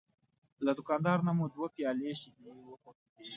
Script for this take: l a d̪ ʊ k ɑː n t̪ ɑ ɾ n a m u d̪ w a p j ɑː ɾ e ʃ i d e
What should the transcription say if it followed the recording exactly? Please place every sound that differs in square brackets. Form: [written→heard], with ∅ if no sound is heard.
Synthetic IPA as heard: l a d̪ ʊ k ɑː n [t̪→d̪] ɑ ɾ n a m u d̪ w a p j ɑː [ɾ→l] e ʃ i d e